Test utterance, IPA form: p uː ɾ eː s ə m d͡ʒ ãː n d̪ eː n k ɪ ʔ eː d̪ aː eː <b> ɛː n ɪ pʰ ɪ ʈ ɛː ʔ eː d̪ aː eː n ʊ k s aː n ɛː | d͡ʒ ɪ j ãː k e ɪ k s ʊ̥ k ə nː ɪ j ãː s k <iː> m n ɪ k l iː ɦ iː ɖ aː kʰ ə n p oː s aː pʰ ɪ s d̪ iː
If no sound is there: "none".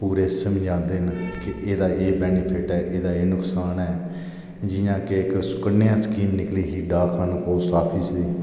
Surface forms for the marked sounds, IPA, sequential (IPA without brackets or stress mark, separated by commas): b, iː